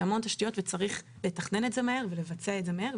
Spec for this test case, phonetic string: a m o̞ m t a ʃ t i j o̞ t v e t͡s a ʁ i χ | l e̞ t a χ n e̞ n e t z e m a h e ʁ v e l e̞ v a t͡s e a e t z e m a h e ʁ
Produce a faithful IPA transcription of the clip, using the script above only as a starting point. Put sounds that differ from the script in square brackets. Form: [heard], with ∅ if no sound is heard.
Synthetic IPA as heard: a m o̞ [n] t a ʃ t i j o̞ t v e t͡s a ʁ i χ | l e̞ t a χ n e̞ n e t z e m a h e ʁ v e l e̞ v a t͡s e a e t z e m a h e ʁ